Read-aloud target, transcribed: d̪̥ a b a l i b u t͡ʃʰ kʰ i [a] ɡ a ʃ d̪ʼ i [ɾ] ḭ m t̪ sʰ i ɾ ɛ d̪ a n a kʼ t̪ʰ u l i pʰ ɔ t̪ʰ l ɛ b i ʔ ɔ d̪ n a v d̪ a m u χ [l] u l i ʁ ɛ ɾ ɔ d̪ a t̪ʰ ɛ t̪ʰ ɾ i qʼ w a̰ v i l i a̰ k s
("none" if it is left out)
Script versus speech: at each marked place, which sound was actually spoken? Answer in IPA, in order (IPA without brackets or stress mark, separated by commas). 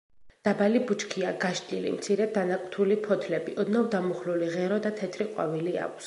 a, l, l